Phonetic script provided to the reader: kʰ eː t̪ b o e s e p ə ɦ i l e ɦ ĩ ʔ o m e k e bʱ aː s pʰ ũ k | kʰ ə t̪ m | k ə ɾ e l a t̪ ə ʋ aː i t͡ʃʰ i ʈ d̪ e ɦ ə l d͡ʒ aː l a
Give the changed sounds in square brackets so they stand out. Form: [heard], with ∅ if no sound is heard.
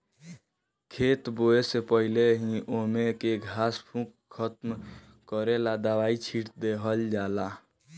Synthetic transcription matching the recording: kʰ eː t̪ b o e s e p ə ɦ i l e ɦ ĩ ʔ o m e k e [ɡʱ] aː s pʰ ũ k | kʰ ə t̪ m | k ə ɾ e l a [d̪] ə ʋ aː i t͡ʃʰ i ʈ d̪ e ɦ ə l d͡ʒ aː l a